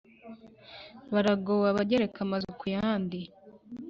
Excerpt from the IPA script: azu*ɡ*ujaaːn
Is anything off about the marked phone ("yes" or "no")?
yes